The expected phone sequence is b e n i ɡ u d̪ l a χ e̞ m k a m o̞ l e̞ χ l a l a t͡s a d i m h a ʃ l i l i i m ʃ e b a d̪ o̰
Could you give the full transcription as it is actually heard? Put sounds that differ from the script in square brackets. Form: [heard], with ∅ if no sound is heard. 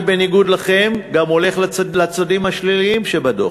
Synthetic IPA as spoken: b e n i ɡ u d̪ l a χ e̞ m [ɡ] a m o̞ l e̞ χ l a l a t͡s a d i m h a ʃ l i l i i m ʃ e b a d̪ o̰